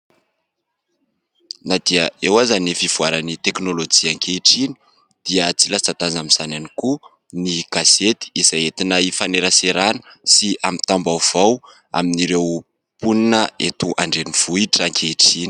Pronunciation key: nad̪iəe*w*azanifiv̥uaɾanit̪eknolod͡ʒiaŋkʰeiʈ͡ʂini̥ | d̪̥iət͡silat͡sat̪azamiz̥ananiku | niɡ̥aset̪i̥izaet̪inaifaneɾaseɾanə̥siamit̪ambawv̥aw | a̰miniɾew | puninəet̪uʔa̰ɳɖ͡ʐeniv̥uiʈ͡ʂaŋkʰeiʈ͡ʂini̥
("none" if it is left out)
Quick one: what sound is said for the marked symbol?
w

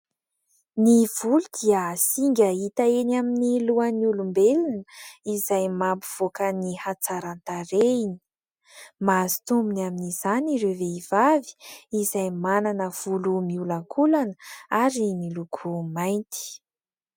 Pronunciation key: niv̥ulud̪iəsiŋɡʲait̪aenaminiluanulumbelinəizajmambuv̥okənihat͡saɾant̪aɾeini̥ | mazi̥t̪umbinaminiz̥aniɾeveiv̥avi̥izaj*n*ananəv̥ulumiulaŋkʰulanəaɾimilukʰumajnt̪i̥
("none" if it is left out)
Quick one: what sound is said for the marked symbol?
m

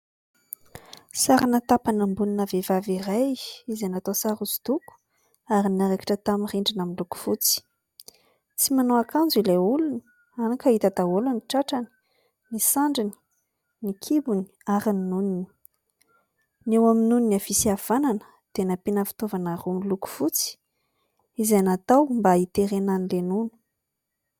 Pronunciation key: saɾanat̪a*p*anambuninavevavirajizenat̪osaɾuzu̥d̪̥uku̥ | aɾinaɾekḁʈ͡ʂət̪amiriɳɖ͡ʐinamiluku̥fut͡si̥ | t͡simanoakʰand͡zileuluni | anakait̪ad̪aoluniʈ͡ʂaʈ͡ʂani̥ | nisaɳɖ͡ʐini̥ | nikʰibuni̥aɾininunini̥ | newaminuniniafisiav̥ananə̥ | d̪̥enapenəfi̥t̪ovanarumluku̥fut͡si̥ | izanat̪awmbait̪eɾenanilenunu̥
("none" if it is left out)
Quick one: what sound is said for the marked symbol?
p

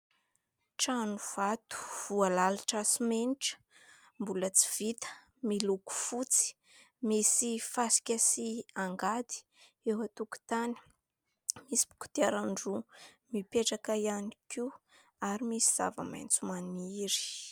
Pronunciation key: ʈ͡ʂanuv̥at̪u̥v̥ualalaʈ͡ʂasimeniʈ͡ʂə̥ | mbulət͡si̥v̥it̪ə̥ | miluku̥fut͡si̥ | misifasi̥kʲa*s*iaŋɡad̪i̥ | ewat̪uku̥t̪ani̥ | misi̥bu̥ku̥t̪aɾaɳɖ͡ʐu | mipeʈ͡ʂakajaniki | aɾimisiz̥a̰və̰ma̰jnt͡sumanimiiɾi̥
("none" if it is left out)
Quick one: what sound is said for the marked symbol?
s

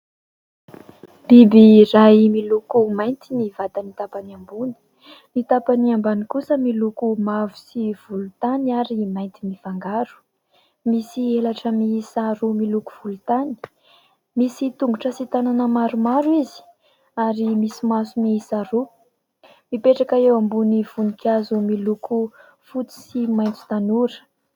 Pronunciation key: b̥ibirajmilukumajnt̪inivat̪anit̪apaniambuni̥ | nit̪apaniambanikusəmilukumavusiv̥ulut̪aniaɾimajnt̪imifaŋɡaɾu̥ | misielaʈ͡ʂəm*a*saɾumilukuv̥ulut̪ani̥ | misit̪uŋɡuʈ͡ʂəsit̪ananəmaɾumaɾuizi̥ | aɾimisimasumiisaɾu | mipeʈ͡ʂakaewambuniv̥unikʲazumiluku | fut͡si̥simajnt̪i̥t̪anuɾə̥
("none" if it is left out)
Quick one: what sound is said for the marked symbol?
i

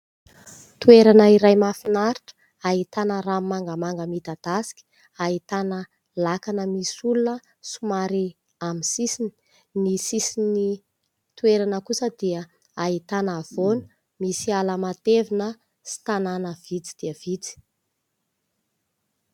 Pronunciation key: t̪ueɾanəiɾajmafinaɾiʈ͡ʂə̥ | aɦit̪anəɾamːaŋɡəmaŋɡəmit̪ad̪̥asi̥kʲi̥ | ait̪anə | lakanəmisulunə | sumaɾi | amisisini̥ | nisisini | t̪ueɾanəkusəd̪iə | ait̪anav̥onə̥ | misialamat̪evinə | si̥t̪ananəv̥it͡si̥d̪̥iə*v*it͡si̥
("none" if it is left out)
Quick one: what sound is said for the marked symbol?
v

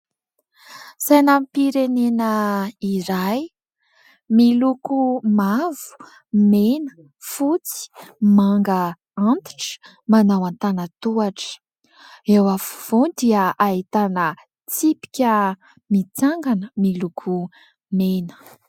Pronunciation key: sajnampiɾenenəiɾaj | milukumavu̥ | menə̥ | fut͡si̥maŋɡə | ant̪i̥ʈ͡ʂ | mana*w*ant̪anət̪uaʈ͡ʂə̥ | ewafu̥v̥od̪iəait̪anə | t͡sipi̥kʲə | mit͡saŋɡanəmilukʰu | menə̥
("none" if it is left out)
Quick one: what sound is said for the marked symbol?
w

